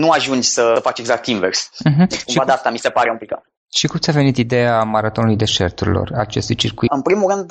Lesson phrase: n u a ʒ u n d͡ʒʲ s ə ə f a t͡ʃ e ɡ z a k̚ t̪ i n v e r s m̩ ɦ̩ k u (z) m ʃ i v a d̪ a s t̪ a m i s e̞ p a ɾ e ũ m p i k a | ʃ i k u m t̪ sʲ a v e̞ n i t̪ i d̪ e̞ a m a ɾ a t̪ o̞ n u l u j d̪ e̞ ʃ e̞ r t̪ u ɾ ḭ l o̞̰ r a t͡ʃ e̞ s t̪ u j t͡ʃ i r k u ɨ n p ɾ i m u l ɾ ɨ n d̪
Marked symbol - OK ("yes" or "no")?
no